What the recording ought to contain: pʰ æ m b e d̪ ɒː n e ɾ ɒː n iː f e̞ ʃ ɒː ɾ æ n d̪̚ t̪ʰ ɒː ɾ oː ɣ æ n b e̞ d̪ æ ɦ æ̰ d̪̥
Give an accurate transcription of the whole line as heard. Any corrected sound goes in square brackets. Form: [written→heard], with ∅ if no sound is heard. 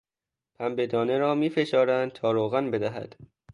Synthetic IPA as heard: pʰ æ m b e d̪ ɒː n e ɾ ɒː [n→m] iː f e̞ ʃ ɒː ɾ æ n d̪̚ t̪ʰ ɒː ɾ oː ɣ æ n b e̞ d̪ æ ɦ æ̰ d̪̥